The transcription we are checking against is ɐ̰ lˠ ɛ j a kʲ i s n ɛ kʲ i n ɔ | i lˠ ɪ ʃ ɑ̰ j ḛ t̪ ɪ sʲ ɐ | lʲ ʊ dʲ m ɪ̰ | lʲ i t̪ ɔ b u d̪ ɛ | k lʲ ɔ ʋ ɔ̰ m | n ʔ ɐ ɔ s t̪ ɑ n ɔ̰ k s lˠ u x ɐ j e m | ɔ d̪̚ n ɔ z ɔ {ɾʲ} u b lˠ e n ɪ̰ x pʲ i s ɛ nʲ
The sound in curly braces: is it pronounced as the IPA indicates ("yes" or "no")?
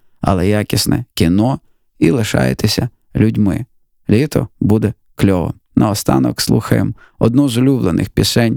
no